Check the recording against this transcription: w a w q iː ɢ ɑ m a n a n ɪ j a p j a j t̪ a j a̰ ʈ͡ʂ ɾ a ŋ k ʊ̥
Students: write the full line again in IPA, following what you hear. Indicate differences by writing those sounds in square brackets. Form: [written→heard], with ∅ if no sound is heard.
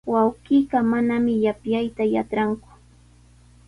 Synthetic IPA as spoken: w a w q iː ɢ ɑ m a n a [n→m] ɪ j a p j a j t̪ a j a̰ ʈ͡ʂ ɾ a ŋ k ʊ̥